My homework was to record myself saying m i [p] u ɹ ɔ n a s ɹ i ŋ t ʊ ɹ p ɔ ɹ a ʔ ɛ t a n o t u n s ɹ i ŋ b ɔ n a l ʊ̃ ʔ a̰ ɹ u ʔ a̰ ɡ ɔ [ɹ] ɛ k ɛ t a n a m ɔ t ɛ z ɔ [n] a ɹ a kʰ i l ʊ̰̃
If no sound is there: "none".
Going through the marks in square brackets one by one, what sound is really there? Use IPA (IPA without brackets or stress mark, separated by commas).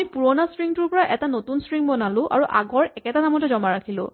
p, ɹ, m